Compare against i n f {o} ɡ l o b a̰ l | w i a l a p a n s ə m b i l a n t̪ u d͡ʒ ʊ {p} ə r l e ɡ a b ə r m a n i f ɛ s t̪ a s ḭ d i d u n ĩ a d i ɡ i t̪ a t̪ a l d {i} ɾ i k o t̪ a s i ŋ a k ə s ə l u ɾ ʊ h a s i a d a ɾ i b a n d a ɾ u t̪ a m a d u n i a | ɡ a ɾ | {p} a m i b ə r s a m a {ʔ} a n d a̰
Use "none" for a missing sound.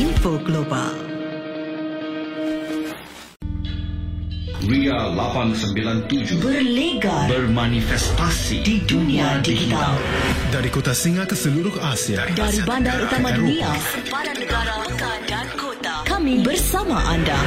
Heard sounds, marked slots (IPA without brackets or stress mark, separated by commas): o, b, a, k, ʔ